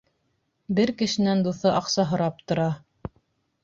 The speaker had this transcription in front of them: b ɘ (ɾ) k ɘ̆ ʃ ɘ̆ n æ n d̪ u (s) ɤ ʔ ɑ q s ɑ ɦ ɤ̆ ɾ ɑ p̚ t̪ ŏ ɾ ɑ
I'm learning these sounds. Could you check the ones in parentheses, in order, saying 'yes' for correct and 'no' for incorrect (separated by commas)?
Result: yes, no